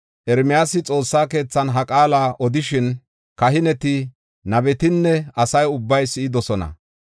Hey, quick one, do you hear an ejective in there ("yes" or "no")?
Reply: yes